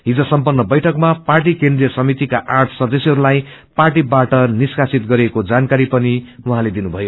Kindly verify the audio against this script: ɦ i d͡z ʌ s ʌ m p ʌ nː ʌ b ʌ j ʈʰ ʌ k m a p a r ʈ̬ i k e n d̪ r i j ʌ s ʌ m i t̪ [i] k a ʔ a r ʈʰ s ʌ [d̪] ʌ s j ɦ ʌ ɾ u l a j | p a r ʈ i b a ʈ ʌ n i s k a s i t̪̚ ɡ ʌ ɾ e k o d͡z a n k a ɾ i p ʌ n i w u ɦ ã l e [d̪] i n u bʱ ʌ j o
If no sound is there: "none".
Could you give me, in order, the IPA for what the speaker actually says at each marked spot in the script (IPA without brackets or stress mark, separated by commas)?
i, d̪, d̪